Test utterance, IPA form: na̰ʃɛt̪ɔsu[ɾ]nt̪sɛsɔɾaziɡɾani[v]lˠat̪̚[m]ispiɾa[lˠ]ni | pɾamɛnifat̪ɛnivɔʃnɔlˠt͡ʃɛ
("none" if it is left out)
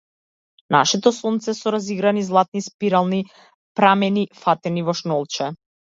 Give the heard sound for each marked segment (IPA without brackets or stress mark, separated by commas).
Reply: none, z, n, lˠ